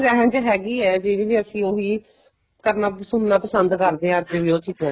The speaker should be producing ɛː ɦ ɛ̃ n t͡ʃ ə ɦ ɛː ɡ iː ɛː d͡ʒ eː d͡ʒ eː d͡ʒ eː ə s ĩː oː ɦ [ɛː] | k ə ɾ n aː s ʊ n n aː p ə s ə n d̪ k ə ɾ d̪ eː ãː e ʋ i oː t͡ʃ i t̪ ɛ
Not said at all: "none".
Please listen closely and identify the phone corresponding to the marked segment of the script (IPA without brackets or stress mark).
iː